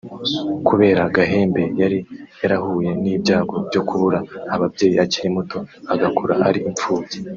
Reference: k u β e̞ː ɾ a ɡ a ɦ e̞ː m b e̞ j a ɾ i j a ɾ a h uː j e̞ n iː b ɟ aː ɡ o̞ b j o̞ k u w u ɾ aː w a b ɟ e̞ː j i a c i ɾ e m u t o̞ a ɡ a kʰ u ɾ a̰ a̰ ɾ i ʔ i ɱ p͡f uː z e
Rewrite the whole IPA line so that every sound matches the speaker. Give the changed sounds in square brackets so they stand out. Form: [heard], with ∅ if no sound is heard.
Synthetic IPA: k u β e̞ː ɾ a ɡ a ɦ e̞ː m b e̞ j a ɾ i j a ɾ a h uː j e̞ n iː b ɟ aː ɡ o̞ b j o̞ k u [β] u ɾ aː [β] a b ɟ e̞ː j i a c i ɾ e m u t o̞ a ɡ a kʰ u ɾ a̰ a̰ ɾ i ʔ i ɱ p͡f uː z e